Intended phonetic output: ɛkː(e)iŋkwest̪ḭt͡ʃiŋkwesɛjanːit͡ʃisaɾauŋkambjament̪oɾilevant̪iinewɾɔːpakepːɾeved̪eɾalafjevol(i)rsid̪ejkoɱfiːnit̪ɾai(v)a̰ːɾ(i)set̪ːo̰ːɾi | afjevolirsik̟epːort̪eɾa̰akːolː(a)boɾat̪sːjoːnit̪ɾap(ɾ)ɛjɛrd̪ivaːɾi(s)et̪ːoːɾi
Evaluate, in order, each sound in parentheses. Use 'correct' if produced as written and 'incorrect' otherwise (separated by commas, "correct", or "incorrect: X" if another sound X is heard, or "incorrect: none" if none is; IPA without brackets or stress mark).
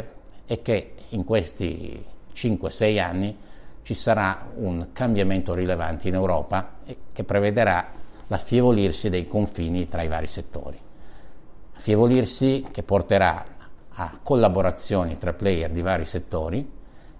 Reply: correct, correct, correct, correct, correct, incorrect: l, correct